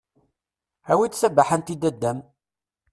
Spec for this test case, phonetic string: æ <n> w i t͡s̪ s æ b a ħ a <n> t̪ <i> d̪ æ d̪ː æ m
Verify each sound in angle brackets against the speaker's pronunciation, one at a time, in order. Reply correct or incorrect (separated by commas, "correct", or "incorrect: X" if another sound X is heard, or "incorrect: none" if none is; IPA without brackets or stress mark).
incorrect: none, correct, correct